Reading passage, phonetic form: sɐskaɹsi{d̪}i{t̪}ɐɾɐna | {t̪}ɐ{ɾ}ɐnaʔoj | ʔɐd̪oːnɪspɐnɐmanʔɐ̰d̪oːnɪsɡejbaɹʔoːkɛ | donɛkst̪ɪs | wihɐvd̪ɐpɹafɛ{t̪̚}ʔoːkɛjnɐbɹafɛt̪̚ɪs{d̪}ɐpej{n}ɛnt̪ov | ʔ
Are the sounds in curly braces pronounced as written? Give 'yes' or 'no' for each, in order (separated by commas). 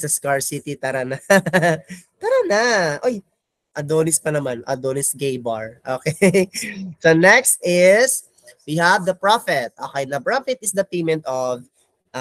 no, yes, yes, yes, yes, yes, no